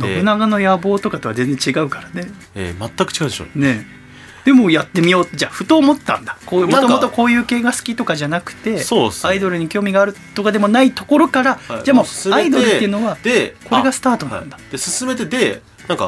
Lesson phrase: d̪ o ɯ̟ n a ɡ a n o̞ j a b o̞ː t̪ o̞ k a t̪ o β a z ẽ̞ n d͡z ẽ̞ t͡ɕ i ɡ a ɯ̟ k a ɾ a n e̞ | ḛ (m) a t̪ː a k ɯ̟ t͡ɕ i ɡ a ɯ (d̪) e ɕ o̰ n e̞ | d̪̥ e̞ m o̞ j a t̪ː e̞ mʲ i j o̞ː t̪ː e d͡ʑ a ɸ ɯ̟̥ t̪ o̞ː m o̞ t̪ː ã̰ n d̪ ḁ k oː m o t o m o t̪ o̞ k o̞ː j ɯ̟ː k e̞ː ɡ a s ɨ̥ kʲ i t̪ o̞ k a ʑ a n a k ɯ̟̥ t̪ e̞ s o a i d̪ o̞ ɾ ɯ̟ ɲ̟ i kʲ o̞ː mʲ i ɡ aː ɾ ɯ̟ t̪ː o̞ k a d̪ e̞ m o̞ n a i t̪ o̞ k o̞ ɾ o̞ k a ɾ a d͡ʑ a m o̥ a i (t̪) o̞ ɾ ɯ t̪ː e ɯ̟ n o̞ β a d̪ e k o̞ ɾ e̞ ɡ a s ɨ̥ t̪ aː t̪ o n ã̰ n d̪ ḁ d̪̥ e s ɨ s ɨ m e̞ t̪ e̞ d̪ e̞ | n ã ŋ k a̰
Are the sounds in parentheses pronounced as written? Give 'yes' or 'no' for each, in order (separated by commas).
yes, yes, no